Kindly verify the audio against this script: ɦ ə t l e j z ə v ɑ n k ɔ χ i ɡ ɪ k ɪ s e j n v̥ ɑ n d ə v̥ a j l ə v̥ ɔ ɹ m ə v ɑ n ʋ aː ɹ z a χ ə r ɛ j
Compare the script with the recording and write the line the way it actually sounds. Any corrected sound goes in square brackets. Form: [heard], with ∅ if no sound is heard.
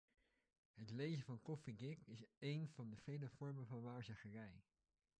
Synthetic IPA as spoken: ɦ ə t l e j z ə v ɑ n k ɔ [f] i ɡ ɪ k ɪ s e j n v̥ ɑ n d ə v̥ [e] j l ə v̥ ɔ ɹ m ə v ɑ n ʋ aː ɹ z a χ ə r ɛ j